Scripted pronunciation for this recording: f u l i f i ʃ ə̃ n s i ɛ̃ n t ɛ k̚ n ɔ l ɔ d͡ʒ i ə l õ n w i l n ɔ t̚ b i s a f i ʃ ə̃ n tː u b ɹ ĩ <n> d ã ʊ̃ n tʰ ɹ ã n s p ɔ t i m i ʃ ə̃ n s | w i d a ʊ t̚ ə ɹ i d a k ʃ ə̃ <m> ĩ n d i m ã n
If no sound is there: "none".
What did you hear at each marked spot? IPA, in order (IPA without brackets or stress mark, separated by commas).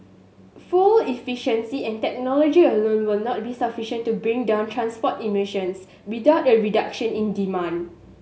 ŋ, n